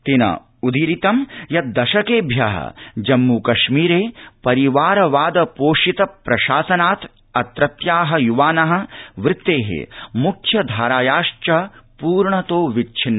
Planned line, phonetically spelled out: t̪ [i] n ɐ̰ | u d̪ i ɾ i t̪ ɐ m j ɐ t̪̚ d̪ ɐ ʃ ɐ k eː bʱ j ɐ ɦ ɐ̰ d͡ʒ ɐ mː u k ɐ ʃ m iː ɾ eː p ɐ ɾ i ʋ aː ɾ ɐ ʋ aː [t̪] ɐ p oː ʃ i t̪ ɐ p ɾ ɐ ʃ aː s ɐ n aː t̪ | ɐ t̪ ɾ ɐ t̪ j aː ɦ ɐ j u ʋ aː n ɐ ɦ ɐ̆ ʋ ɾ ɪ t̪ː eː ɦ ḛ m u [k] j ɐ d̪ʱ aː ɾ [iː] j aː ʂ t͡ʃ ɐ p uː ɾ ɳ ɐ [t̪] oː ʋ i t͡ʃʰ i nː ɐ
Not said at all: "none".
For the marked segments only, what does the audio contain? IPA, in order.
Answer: i, d̪, kʰ, aː, t̪

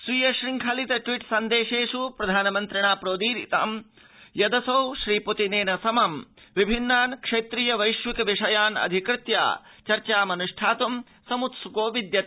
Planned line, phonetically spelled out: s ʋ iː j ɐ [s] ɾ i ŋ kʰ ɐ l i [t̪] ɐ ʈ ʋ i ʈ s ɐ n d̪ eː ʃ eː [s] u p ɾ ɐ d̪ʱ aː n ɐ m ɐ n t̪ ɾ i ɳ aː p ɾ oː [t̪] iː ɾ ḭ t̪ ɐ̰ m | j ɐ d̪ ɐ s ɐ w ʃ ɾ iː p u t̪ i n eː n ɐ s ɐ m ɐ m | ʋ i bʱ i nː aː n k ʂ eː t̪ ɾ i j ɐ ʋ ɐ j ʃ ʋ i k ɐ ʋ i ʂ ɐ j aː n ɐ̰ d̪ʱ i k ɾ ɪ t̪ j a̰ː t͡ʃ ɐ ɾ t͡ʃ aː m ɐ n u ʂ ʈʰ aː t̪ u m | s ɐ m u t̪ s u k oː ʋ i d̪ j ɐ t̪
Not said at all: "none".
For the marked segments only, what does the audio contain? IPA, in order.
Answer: ʃ, t̪, ʂ, d̪

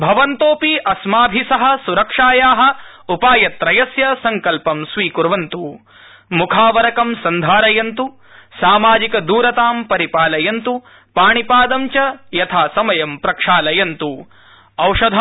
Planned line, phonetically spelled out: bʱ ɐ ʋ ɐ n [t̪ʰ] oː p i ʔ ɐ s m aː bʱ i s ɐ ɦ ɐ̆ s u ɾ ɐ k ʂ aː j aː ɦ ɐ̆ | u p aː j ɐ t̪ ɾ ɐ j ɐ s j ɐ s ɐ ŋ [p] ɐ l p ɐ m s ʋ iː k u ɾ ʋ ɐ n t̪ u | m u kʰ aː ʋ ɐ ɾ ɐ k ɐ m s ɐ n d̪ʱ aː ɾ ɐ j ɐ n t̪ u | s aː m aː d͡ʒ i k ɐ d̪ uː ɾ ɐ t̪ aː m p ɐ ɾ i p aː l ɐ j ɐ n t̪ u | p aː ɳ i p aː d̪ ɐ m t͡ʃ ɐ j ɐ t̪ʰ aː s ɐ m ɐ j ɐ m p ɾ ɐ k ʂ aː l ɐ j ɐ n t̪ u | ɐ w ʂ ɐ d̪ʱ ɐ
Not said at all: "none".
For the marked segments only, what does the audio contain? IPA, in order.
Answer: t̪, k

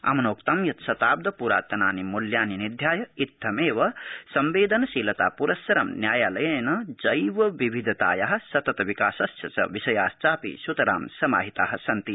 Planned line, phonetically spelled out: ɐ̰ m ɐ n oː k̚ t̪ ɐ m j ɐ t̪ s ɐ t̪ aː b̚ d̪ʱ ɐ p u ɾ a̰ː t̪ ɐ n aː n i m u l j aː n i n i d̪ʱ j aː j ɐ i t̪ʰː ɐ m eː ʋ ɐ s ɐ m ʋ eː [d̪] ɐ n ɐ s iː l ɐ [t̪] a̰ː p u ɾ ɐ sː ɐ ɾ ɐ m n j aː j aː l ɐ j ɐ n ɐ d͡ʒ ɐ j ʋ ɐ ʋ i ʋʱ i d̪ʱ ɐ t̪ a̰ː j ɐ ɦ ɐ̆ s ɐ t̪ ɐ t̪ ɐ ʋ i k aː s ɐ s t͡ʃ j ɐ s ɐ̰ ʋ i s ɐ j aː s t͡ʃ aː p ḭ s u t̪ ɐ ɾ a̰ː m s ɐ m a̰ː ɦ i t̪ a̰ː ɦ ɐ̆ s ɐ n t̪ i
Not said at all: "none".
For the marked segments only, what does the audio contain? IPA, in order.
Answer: d̪, t̪

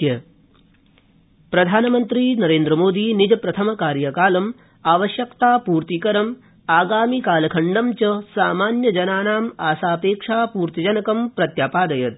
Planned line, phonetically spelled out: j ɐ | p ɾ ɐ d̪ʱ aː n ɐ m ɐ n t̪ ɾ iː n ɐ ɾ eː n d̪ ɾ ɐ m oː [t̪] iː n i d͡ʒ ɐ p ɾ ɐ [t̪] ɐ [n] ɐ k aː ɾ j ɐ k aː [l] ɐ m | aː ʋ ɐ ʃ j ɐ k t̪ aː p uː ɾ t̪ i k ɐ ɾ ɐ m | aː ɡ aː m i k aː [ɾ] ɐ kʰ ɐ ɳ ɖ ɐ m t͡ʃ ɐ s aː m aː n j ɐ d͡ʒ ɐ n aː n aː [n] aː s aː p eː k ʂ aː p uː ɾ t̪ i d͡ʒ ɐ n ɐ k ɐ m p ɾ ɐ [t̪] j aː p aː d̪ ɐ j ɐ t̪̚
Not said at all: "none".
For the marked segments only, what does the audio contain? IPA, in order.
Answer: d̪, t̪ʰ, m, l, l, m, t̪

